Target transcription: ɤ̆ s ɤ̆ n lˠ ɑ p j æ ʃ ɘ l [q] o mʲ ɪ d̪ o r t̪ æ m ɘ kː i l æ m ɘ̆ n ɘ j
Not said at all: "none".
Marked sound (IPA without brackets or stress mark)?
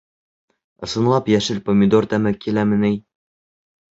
p